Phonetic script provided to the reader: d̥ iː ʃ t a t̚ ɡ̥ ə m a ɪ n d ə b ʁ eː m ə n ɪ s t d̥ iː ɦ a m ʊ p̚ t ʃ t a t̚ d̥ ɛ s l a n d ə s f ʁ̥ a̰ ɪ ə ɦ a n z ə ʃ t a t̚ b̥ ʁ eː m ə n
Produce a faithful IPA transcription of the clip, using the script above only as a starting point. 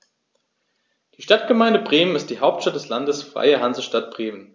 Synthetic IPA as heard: d̥ iː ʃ t a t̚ ɡ̥ ə m a ɪ n d ə b ʁ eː m ə n ɪ s t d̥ iː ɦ a ʊ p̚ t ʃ t a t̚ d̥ ɛ s l a n d ə s f ʁ̥ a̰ ɪ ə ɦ a n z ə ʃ t a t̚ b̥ ʁ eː m ə n